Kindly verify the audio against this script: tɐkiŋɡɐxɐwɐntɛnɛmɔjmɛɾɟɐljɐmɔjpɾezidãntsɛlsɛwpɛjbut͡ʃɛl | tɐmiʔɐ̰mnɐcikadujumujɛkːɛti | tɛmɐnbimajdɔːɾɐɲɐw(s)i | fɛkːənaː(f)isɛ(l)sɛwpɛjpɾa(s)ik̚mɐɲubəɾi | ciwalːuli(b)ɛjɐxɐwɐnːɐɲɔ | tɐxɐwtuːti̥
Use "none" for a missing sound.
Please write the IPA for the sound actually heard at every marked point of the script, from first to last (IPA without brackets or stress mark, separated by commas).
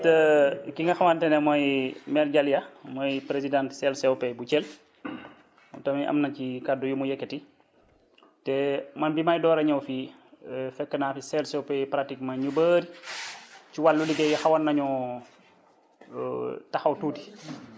f, f, l, t, ɡ